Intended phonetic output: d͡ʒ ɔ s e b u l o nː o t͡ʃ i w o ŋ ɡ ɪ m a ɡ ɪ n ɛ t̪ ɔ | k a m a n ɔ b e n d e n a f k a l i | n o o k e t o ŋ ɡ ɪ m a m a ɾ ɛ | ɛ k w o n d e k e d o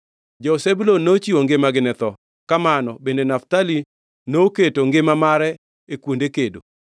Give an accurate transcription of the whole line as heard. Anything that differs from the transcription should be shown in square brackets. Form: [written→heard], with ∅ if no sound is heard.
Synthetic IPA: d͡ʒ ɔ s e b u l o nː o t͡ʃ i w o ŋ ɡ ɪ m a ɡ ɪ n ɛ t̪ ɔ | k a m a n ɔ b e n d e n a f [k→t] a l i | n o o k e t o ŋ ɡ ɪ m a m a ɾ ɛ | [ɛ→e] k w o n d e k e d o